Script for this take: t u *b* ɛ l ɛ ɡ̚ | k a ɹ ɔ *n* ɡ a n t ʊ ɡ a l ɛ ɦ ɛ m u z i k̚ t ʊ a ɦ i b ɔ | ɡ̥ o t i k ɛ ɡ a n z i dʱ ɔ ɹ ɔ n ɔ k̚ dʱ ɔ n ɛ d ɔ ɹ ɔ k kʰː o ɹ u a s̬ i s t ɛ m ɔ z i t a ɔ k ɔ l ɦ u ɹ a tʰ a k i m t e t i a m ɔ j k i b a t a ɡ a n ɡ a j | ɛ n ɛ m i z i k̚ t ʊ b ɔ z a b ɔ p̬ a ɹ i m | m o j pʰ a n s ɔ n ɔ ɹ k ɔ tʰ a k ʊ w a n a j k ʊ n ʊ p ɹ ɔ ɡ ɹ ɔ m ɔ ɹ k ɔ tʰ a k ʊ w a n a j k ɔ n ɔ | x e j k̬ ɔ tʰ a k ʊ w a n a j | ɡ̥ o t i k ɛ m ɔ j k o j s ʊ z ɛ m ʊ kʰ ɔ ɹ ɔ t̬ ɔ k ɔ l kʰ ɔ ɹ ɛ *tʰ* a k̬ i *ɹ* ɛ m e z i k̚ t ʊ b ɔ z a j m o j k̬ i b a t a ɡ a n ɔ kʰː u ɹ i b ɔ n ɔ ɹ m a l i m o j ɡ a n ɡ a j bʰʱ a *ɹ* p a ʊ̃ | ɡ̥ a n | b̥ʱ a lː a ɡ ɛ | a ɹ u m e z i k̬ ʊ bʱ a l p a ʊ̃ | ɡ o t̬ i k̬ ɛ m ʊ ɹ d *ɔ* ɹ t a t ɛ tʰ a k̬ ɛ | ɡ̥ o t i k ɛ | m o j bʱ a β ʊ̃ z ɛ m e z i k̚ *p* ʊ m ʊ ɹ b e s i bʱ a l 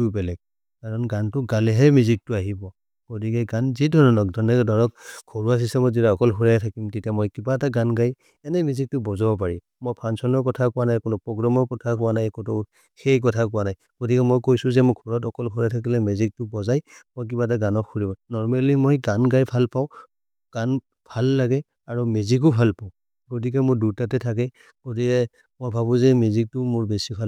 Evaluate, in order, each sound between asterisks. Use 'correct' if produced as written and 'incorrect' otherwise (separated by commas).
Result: correct, correct, correct, incorrect, incorrect, incorrect, incorrect